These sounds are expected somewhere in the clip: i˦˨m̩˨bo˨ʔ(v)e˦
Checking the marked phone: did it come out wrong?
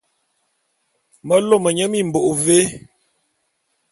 no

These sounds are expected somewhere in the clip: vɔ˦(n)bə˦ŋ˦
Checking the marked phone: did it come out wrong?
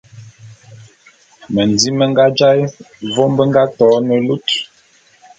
yes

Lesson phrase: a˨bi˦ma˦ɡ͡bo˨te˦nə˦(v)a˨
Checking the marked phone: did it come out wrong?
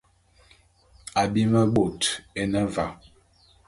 no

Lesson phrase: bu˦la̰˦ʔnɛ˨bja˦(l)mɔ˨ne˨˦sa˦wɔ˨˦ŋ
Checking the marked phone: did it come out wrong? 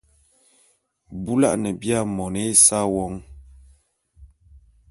yes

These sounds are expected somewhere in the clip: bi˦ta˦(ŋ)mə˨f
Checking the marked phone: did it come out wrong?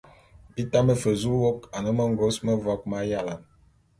yes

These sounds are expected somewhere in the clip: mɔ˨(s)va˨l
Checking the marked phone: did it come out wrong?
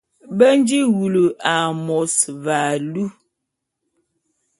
no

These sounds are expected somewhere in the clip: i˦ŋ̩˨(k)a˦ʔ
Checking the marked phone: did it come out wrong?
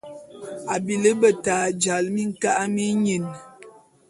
no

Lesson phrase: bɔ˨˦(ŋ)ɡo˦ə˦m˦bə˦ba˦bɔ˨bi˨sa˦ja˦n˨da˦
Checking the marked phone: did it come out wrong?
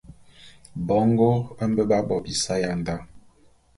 no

